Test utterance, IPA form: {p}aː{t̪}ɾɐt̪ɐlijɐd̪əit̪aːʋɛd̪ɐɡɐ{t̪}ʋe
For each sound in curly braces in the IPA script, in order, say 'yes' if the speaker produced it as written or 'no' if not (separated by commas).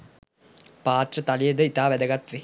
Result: yes, yes, yes